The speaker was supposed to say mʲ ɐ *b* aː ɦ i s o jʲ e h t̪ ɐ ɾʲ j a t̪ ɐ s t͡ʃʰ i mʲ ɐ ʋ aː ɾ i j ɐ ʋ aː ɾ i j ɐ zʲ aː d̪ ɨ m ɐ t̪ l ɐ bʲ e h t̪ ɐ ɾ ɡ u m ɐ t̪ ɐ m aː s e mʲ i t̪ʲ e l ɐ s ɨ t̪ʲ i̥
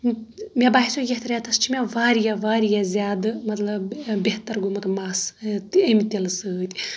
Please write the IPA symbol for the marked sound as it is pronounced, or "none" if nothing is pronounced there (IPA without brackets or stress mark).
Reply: b